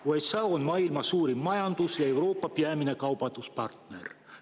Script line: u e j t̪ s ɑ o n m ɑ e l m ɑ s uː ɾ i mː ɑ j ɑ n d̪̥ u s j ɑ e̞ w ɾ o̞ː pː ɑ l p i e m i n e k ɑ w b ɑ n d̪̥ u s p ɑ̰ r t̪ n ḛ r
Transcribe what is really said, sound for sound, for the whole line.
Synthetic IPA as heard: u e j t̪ s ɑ o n m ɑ i l m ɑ s uː ɾ i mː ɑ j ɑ n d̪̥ u s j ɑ e̞ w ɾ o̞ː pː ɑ p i æ m i n e k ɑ w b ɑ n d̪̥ u s p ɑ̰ r t̪ n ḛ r